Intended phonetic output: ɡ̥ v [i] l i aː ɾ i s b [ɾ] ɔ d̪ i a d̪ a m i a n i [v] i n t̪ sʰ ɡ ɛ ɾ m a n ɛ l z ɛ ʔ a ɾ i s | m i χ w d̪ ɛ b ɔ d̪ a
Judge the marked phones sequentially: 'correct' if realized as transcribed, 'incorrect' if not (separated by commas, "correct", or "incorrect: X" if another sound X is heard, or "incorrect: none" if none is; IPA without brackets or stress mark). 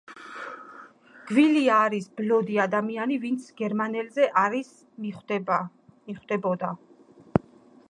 correct, incorrect: l, correct